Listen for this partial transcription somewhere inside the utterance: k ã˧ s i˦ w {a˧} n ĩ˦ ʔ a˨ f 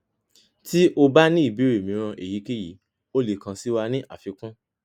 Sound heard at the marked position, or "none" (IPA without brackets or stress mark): a˧